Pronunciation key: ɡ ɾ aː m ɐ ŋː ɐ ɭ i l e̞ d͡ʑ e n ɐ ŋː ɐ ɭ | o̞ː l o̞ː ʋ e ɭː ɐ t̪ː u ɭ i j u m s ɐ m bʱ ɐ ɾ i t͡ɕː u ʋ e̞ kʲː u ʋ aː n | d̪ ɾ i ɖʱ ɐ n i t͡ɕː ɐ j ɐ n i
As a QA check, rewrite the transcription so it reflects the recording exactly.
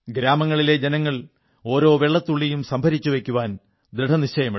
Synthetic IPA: ɡ ɾ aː m ɐ ŋː ɐ ɭ i l e̞ d͡ʑ e n ɐ ŋː ɐ ɭ | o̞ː ɾ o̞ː ʋ e ɭː ɐ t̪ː u ɭː i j u m s ɐ m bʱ ɐ ɾ i t͡ɕː u ʋ e̞ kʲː u ʋ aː n | d̪ ɾ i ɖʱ ɐ n i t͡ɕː ɐ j ɐ m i